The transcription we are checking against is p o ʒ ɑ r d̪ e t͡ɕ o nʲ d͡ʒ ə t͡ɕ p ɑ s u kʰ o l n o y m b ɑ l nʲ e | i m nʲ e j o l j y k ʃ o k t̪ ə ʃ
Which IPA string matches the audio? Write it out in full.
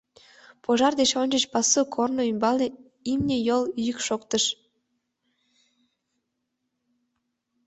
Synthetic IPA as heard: p o ʒ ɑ r d̪ e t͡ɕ o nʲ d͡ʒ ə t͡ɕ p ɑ s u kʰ o r n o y m b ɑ l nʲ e | i m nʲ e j o l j y k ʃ o k t̪ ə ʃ